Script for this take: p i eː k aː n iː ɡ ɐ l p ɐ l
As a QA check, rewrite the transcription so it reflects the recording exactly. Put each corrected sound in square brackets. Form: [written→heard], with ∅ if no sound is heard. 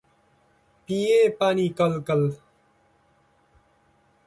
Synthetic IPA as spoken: p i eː [k→p] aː n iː [ɡ→k] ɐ l [p→k] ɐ l